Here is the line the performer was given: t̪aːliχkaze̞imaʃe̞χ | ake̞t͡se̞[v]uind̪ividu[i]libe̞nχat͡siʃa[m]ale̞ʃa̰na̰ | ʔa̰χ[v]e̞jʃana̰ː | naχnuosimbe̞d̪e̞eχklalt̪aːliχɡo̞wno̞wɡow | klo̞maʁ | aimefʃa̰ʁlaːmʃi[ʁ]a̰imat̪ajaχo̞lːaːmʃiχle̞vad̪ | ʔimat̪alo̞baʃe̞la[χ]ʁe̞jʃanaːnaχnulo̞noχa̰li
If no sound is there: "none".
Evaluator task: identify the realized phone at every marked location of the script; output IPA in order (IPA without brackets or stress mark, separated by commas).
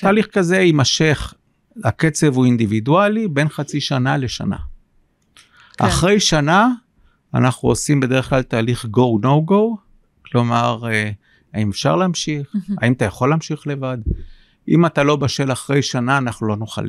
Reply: v, a, n, ʁ, χ, χ